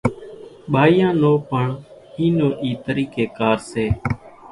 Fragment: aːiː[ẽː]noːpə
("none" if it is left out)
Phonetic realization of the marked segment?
ãː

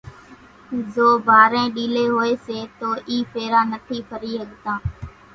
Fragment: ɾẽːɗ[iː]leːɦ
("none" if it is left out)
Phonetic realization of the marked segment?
iː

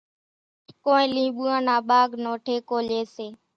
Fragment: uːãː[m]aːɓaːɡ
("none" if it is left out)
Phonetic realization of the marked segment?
n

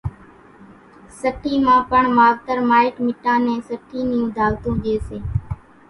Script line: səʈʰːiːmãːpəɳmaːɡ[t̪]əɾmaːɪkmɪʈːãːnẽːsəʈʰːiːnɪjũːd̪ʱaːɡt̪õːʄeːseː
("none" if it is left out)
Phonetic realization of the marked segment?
t̪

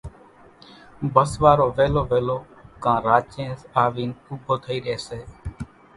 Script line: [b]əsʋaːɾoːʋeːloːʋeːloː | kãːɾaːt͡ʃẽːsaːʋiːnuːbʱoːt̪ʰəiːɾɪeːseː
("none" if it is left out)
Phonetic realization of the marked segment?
b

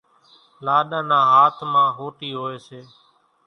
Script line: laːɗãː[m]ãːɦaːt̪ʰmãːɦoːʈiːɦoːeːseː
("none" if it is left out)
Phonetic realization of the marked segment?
n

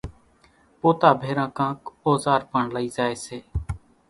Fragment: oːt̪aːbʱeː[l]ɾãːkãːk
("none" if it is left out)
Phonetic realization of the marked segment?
none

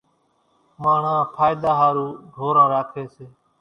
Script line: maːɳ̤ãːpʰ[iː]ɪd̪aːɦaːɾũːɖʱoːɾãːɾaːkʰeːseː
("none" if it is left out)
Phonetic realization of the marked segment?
aː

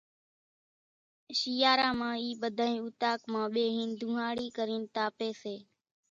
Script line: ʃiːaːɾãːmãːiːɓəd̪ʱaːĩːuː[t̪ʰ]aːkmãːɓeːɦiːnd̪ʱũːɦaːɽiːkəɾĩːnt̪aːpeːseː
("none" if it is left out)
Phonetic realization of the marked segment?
t̪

